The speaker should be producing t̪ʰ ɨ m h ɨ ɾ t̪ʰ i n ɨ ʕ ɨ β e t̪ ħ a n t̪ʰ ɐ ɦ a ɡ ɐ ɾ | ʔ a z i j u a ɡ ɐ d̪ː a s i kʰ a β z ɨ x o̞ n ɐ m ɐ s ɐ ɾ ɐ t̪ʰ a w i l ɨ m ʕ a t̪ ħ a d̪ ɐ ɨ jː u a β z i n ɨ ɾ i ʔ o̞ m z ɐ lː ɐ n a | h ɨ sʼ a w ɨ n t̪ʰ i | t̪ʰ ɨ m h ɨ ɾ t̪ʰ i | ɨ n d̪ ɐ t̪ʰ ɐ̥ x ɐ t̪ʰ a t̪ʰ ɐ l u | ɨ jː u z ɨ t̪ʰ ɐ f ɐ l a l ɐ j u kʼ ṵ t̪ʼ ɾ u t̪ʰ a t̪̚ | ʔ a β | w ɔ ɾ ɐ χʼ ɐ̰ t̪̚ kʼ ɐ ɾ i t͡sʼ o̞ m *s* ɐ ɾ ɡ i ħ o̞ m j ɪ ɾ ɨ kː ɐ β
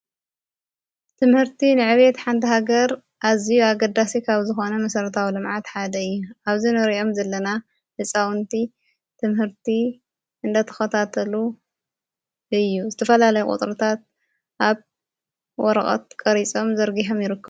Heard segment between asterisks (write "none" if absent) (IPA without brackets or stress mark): z